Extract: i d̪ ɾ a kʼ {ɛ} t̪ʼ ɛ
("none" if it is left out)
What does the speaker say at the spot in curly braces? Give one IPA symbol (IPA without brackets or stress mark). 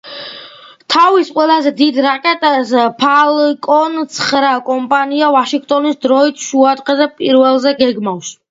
ɛ